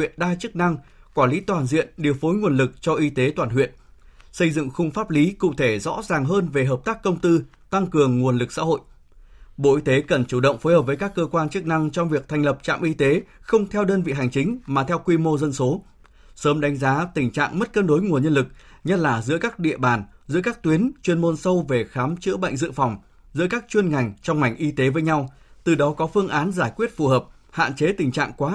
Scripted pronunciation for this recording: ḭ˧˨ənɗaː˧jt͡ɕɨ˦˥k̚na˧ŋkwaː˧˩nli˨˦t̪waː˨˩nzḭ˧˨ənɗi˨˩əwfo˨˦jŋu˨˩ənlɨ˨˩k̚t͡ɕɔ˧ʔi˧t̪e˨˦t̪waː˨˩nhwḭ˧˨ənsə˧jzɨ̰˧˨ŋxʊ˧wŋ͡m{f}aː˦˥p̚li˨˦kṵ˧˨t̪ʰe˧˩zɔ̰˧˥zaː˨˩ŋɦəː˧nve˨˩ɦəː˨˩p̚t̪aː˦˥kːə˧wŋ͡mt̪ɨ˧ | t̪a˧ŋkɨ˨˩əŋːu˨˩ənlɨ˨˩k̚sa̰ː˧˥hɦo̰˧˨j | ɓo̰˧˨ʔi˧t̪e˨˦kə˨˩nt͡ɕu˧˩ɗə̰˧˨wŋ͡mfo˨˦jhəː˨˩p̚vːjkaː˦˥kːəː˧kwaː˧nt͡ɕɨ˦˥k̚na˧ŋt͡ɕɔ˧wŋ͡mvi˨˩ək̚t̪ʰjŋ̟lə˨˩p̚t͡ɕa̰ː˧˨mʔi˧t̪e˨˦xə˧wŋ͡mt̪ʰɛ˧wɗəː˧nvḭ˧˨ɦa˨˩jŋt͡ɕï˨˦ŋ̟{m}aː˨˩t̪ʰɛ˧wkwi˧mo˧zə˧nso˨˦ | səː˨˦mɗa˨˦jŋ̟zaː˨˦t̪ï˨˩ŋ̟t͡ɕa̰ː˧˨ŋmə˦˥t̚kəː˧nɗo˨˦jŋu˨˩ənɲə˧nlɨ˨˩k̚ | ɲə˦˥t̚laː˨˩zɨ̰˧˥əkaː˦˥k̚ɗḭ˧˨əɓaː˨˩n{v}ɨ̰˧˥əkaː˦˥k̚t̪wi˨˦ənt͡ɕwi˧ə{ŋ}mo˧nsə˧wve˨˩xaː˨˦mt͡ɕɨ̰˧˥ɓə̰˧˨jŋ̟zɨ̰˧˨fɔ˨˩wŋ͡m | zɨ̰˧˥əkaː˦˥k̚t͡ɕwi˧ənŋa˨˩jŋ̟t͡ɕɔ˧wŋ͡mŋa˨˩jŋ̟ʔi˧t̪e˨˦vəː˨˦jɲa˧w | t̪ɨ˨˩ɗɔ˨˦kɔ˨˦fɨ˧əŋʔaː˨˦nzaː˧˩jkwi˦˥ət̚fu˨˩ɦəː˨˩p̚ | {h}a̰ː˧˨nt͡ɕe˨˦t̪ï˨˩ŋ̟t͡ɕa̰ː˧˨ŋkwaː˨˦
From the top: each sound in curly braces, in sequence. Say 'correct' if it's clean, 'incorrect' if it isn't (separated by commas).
correct, correct, incorrect, incorrect, correct